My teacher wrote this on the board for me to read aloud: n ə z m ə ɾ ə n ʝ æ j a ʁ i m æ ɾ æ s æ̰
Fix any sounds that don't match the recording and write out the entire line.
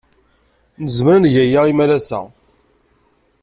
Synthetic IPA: n ə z m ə ɾ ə n ʝ æ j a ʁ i m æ l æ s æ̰